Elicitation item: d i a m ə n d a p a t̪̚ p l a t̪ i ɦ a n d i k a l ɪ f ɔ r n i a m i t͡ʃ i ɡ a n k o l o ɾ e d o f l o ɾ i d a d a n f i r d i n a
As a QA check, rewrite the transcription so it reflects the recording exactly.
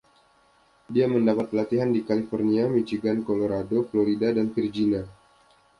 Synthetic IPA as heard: d i a m ə n d a p a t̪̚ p l a t̪ i ɦ a n d i k a l i f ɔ r n i a m i t͡ʃ i ɡ a n k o l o ɾ a d o f l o ɾ i d a d a n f i r d͡ʒ i n a